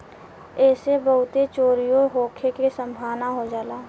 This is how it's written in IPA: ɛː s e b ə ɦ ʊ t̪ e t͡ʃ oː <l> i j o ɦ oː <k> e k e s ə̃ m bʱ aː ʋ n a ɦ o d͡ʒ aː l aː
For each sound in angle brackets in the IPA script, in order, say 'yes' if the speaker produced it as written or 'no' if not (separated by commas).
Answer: no, no